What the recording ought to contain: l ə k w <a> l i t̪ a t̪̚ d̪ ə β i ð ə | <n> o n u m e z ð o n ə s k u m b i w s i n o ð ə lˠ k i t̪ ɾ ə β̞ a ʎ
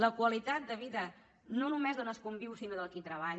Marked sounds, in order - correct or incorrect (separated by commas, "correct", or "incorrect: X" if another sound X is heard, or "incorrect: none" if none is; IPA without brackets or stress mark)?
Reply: incorrect: ə, correct